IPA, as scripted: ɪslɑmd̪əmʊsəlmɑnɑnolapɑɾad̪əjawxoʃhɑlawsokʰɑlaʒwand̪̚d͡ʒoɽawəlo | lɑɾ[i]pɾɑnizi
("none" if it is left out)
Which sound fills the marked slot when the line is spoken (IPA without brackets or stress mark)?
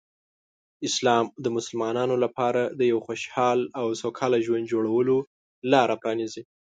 a